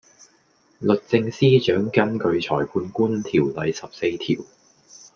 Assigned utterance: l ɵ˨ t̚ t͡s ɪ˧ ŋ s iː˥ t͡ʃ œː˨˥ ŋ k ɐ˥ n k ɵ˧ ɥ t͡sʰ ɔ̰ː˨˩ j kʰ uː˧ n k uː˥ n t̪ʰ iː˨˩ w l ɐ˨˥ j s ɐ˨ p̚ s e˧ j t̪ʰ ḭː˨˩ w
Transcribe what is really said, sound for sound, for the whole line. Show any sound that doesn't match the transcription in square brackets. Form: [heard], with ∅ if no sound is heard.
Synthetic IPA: l ɵ˨ t̚ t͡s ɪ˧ ŋ s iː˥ t͡ʃ œː˨˥ ŋ k ɐ˥ n k ɵ˧ ɥ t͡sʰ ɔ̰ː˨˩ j [pʰ] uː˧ n k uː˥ n t̪ʰ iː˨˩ w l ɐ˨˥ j s ɐ˨ p̚ s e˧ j t̪ʰ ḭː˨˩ w